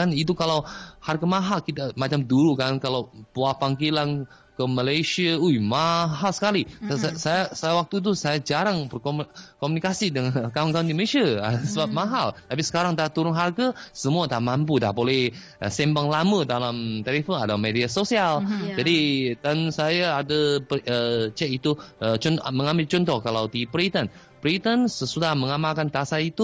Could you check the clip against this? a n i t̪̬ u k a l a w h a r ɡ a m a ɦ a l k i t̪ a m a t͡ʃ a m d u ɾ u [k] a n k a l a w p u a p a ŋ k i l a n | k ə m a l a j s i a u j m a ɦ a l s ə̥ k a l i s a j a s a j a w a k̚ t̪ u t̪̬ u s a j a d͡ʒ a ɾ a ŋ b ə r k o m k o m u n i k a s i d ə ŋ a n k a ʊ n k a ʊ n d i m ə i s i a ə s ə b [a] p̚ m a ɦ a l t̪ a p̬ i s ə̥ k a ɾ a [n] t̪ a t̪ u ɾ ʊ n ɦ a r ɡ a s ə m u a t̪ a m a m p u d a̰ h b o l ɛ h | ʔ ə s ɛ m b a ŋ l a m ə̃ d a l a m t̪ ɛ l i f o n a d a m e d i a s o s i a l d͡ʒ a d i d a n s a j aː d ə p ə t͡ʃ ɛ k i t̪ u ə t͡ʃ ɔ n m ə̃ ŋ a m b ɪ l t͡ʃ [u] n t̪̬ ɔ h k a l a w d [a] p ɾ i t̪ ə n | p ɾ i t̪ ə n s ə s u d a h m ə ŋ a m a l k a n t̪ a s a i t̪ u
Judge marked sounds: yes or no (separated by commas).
yes, yes, no, no, no